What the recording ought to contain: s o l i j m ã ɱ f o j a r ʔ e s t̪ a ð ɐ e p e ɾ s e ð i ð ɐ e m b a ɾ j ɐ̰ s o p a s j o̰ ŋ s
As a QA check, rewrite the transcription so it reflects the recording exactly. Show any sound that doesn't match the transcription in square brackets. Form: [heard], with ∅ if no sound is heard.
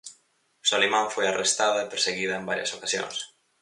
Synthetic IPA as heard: s o l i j m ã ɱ f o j a r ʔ e s t̪ a ð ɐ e p e ɾ s e [ɣ] i ð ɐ e m b a ɾ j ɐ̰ s o [k] a s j o̰ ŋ s